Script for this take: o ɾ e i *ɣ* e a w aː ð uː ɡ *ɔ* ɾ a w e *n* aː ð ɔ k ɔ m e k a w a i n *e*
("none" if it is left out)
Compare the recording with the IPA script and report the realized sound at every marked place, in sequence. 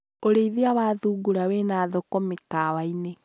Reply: ð, u, n, e

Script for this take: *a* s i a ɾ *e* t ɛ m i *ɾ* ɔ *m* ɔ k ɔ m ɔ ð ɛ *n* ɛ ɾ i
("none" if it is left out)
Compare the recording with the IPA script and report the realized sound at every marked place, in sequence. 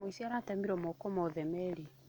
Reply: i, a, ɾ, m, m

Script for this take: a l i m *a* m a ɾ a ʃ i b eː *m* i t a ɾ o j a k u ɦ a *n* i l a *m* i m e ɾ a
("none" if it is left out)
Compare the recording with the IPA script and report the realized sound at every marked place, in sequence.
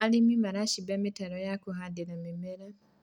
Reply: i, m, d, m

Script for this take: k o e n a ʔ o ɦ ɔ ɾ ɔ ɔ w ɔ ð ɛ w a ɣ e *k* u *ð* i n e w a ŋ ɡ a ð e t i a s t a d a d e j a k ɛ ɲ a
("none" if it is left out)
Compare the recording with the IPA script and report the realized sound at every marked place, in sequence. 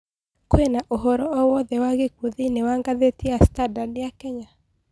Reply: k, ð

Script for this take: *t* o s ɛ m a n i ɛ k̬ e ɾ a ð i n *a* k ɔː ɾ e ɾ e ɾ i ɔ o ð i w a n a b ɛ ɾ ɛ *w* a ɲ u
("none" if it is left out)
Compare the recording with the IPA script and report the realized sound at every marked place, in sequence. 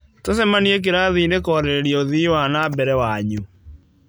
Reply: t, e, w

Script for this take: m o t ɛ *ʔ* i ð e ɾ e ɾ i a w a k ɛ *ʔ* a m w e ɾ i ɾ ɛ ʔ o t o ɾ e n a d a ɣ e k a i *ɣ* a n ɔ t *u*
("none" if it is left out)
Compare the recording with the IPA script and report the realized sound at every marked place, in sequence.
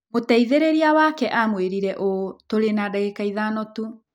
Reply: none, ʔ, ð, u

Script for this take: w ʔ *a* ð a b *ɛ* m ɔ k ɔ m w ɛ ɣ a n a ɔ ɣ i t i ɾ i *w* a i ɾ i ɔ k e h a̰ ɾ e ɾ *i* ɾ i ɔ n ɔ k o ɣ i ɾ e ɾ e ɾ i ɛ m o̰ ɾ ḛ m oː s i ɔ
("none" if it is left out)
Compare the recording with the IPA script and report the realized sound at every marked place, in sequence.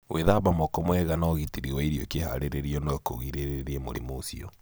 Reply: e, a, w, e

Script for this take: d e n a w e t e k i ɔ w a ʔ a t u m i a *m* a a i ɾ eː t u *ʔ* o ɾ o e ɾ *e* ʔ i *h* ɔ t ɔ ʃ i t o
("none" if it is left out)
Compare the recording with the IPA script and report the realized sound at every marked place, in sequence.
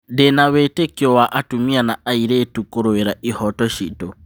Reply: n, k, a, h

